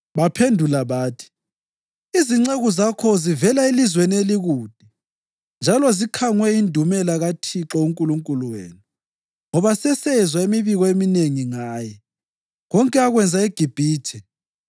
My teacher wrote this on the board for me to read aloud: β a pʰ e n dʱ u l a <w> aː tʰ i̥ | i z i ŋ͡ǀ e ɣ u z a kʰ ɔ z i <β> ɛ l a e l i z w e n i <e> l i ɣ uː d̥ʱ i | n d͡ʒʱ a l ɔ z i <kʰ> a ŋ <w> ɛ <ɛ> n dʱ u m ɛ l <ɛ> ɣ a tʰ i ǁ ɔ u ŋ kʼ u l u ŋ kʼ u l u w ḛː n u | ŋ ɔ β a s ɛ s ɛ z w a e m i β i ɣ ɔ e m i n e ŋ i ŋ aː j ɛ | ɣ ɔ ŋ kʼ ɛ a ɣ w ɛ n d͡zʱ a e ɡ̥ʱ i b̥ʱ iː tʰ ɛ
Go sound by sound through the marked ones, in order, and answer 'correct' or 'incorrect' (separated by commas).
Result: incorrect, incorrect, correct, correct, correct, incorrect, incorrect